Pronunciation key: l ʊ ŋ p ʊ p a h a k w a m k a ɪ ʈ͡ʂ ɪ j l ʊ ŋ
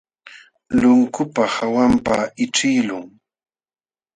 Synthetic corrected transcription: l ʊ ŋ k ʊ p a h a w a m p a ɪ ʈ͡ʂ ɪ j l ʊ ŋ